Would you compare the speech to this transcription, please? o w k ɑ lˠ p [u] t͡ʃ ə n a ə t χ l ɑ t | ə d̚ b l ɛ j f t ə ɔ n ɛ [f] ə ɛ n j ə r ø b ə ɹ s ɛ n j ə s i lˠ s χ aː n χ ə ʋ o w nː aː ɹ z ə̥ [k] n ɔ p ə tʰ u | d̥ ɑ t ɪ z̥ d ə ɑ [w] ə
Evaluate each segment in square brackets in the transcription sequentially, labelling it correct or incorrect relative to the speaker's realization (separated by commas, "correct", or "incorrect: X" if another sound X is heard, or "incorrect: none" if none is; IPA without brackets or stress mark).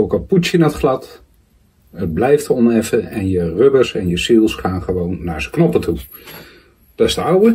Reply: correct, correct, correct, correct